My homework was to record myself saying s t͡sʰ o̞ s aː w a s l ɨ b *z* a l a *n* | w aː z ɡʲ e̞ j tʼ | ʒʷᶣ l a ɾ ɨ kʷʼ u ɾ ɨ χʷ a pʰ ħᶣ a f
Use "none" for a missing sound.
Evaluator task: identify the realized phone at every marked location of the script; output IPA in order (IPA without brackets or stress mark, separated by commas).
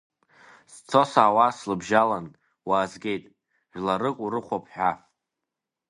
ʒ, n